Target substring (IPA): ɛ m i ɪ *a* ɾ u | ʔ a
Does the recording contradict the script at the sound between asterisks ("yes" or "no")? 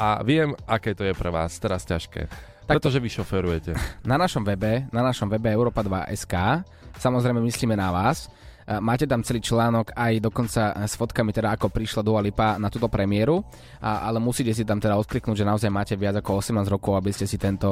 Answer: yes